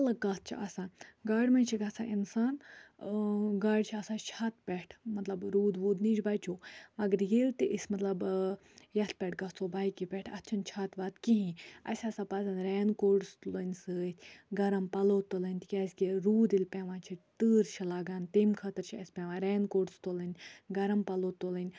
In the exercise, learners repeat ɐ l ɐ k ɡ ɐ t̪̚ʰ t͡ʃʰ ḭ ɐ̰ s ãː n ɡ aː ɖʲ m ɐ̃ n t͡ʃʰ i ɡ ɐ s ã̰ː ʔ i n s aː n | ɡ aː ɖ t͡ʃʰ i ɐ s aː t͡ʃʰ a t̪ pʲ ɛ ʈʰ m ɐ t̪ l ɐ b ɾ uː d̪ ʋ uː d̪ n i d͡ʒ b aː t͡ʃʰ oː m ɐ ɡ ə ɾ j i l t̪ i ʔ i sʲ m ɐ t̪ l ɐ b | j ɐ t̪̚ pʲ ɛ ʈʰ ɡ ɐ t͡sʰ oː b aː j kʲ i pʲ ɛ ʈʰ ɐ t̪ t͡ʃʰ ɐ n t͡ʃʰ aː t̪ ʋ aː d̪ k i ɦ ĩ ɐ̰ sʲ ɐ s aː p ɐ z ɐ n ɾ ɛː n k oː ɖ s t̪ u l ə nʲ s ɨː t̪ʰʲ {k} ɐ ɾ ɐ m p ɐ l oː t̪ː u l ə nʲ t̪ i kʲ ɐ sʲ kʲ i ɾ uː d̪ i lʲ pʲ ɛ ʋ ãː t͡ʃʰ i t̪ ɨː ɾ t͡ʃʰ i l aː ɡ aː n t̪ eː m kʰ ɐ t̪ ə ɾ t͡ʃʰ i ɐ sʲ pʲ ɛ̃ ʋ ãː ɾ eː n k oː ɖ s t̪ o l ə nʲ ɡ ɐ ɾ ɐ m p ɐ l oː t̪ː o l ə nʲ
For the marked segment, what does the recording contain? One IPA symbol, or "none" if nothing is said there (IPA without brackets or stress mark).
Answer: ɡ